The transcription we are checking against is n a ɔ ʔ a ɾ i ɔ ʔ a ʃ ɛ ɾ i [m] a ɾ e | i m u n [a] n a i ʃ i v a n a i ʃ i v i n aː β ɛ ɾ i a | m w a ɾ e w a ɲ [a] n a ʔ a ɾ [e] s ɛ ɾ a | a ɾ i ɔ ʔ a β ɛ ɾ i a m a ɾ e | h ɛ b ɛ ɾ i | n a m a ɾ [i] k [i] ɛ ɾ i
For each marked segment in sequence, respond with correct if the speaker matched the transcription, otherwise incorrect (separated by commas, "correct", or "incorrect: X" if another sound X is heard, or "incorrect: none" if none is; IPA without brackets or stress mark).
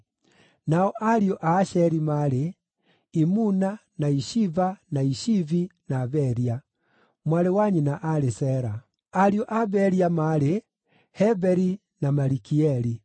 correct, correct, incorrect: i, correct, correct, correct